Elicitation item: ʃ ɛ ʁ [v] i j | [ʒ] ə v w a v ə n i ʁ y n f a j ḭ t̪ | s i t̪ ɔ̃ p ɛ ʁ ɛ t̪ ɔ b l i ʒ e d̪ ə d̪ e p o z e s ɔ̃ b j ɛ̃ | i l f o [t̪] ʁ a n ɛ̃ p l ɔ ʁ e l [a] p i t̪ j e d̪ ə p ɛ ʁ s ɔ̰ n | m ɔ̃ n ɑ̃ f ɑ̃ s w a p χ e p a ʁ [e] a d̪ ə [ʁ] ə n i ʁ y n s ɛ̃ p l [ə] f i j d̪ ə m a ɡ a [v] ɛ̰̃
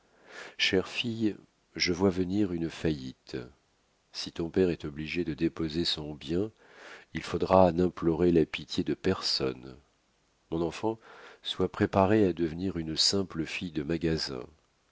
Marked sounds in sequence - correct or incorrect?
incorrect, correct, incorrect, correct, correct, incorrect, correct, incorrect

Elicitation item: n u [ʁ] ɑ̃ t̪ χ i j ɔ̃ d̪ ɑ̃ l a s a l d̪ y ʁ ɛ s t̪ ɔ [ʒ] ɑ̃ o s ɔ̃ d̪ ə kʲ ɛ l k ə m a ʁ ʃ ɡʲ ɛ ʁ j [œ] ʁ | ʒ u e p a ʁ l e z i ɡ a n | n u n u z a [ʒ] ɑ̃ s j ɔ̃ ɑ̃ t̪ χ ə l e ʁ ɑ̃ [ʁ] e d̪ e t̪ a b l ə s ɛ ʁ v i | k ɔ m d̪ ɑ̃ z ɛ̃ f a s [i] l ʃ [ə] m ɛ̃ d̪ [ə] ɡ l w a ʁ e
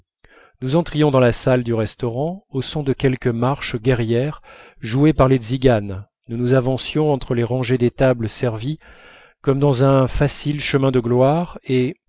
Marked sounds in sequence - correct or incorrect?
incorrect, incorrect, incorrect, incorrect, incorrect, correct, correct, correct

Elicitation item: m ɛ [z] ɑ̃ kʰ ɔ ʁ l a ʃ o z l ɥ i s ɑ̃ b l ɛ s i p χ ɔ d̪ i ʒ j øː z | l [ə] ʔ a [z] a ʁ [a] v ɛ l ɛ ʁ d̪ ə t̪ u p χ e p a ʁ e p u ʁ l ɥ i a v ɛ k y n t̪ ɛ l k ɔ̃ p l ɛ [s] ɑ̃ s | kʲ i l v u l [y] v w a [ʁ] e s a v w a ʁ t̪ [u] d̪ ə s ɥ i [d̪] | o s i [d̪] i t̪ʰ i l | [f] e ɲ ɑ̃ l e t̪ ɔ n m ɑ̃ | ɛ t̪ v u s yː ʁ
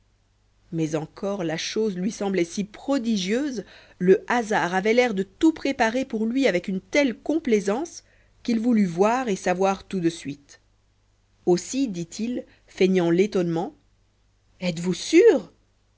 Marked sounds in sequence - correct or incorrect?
correct, correct, correct, correct, incorrect, correct, correct, correct, incorrect, correct, correct

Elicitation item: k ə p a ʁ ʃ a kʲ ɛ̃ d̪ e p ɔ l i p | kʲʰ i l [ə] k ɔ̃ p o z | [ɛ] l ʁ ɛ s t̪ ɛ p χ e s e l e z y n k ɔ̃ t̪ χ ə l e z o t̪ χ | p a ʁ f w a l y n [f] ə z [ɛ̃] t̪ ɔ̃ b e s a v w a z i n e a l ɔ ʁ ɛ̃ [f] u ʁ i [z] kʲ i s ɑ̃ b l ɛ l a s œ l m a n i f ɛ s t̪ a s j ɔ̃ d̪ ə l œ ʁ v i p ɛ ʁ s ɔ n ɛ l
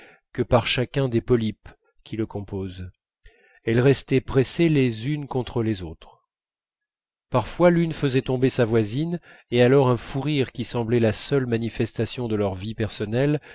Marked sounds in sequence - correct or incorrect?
correct, correct, correct, incorrect, correct, incorrect

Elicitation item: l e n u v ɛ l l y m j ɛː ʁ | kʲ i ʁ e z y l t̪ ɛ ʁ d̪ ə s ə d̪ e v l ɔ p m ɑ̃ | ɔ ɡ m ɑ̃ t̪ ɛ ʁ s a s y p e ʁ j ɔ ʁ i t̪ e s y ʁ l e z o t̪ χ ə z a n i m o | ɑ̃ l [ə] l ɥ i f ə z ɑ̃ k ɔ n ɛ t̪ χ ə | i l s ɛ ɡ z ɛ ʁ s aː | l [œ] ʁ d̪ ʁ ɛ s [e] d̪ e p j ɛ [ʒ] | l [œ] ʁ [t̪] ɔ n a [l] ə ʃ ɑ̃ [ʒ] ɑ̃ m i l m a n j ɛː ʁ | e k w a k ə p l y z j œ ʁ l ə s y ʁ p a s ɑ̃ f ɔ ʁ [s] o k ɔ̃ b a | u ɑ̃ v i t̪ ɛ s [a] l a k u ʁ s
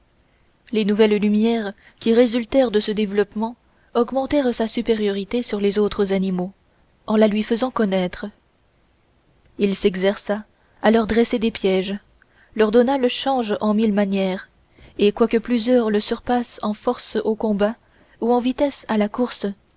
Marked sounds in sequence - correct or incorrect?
incorrect, correct, correct, correct, correct, incorrect, correct, correct, correct, correct

